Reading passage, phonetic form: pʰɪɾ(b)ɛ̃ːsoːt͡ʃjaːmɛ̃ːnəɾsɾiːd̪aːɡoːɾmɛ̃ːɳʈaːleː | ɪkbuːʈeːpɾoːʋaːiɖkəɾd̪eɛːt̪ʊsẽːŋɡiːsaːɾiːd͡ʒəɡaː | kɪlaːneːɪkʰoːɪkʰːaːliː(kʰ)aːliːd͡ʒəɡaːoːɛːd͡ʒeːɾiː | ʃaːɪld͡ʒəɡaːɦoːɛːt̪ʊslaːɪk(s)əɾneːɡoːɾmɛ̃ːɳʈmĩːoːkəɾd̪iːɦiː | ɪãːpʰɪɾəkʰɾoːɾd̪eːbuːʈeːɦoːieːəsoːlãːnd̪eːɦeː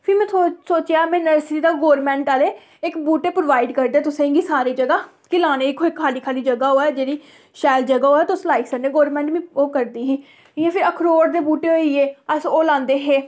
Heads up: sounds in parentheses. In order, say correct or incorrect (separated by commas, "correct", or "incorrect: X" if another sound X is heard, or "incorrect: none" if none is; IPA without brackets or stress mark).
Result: incorrect: m, correct, correct